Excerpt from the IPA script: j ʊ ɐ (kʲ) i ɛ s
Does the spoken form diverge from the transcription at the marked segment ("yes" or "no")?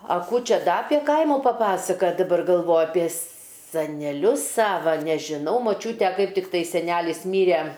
yes